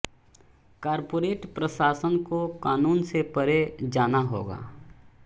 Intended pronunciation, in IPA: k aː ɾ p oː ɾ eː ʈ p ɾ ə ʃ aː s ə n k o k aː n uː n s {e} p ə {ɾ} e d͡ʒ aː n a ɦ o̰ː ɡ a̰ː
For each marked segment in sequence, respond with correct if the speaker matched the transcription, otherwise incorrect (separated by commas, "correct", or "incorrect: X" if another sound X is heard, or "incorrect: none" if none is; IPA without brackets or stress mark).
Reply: correct, correct